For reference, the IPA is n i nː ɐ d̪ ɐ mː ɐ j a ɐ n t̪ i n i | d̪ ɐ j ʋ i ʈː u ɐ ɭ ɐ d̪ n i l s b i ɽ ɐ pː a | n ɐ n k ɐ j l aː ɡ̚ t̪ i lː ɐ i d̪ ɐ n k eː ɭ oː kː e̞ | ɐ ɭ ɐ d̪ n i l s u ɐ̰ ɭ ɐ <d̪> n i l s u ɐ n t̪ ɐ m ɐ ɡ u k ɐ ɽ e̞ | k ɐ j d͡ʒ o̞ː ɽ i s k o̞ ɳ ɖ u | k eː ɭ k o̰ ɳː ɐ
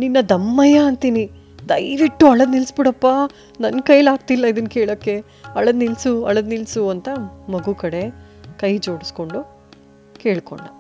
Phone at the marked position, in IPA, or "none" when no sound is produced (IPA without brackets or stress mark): d̪